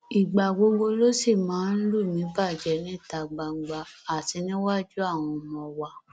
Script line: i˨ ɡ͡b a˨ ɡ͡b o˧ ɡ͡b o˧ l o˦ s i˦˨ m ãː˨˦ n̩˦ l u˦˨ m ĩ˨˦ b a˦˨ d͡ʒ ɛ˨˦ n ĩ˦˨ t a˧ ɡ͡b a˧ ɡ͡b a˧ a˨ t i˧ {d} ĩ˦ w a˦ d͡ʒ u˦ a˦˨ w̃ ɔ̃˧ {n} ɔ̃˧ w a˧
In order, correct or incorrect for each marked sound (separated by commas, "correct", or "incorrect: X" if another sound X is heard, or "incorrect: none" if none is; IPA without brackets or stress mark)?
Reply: incorrect: n, incorrect: m